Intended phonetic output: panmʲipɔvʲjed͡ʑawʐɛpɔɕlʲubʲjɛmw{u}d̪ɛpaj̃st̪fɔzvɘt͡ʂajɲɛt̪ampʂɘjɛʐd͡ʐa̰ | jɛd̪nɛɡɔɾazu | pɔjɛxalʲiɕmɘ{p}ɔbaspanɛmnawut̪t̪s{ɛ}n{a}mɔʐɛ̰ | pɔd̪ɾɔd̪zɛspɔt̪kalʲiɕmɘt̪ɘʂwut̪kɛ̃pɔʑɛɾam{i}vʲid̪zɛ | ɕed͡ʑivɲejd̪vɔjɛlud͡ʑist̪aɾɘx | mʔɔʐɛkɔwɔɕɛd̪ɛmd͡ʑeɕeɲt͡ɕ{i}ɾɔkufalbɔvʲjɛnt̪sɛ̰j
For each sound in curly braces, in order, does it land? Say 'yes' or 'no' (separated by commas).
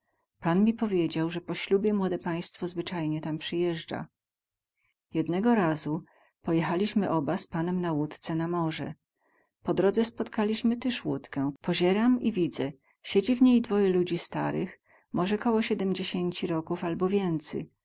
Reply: no, no, yes, yes, yes, yes